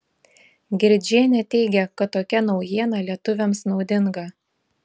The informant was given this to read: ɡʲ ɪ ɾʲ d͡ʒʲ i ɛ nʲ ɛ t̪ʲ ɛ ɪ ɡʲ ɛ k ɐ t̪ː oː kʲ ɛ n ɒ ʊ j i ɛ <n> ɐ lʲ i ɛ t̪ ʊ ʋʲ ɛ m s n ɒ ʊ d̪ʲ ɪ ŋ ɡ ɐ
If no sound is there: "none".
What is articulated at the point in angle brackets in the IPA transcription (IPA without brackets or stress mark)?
n